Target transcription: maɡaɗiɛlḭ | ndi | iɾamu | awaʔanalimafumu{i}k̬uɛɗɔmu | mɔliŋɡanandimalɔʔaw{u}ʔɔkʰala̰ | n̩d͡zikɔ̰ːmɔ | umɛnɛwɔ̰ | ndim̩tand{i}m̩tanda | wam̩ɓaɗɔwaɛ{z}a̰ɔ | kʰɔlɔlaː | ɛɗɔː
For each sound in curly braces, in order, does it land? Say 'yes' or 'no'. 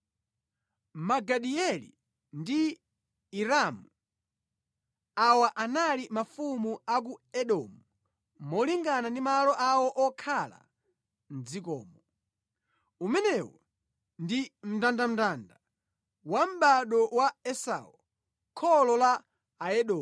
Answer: no, no, no, no

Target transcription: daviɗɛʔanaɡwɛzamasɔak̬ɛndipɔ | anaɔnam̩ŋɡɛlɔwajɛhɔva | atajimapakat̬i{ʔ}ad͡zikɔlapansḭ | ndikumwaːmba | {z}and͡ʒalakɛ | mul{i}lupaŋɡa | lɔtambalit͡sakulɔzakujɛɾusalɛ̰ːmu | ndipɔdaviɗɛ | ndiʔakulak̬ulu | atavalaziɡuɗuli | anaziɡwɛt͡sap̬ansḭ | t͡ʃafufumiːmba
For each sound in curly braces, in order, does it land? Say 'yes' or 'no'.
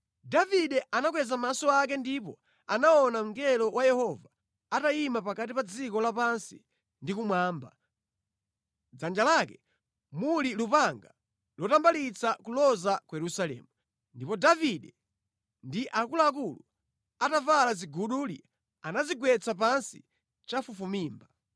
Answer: no, no, yes

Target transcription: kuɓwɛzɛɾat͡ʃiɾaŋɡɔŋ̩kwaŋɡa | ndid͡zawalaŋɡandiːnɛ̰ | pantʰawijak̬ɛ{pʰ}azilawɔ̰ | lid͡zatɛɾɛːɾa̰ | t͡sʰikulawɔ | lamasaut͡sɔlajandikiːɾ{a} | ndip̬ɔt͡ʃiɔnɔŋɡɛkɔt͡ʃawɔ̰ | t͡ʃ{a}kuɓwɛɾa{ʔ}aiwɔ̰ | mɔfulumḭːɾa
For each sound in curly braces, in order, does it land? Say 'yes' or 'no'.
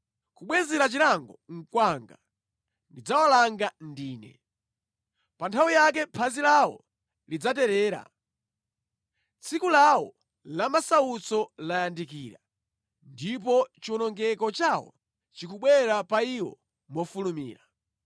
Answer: yes, yes, no, no

